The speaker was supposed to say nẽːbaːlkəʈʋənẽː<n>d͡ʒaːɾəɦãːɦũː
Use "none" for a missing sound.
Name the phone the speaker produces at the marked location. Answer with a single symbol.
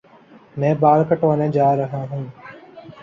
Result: none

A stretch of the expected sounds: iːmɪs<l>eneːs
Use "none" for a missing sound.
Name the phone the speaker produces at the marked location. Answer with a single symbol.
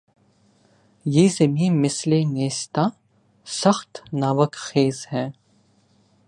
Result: l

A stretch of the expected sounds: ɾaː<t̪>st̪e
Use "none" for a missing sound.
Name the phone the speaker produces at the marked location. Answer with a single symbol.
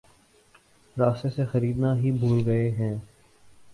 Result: none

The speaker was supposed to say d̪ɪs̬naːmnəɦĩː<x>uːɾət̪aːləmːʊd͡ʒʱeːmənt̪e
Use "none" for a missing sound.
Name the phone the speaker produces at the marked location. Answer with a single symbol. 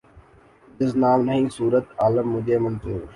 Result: s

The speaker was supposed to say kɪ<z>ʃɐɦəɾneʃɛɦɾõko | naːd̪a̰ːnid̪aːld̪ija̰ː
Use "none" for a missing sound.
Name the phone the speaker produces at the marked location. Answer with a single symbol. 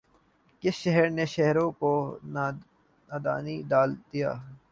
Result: s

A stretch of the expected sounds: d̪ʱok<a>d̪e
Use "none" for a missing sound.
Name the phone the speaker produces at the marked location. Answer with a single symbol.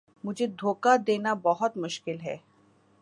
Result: a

